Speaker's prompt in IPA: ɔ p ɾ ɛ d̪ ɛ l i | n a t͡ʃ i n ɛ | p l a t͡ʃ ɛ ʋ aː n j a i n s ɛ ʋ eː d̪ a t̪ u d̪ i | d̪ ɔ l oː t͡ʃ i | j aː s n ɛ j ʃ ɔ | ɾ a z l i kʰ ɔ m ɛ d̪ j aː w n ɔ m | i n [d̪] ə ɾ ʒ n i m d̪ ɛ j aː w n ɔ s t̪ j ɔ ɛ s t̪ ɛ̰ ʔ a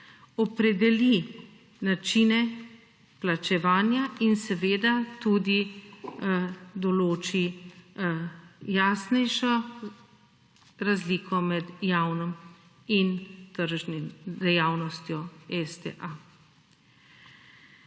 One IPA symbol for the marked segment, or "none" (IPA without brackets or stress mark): t̪